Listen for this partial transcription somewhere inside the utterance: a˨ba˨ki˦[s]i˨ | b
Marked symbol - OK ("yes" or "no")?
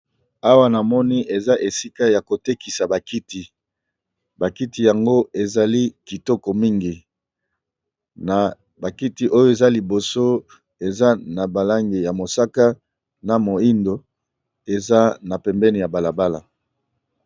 no